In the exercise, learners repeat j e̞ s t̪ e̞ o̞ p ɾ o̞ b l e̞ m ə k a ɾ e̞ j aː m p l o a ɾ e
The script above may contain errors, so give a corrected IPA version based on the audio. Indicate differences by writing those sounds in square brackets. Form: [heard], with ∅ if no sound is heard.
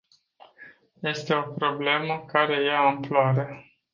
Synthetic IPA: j e̞ s t̪ e̞ o̞ p ɾ o̞ b l e̞ m ə k a ɾ e̞ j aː m p l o a ɾ e